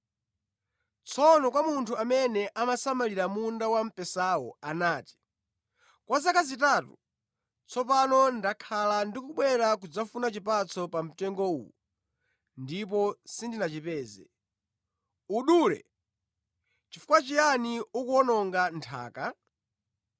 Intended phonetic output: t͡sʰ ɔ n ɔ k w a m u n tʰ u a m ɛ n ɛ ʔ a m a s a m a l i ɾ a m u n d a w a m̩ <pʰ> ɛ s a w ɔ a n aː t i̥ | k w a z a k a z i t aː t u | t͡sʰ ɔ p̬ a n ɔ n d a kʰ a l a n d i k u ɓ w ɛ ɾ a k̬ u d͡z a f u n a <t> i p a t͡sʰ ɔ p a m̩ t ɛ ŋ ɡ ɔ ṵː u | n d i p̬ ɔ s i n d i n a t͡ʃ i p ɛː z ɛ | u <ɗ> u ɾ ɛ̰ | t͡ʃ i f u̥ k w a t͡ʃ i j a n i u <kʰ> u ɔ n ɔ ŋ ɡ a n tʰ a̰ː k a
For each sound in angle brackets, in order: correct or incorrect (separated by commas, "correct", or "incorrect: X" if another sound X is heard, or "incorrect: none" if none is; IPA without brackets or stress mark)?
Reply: incorrect: p, incorrect: t͡ʃ, correct, incorrect: k